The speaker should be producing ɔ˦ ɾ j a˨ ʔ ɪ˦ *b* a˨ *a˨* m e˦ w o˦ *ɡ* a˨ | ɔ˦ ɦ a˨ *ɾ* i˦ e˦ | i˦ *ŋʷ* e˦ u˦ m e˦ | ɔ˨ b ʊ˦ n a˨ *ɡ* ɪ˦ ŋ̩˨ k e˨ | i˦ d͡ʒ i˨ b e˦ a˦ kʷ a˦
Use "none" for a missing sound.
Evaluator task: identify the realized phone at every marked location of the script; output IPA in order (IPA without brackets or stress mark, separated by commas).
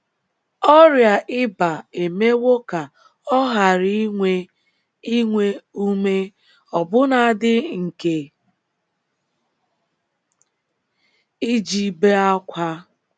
b, e˨, k, ɾ, ŋʷ, d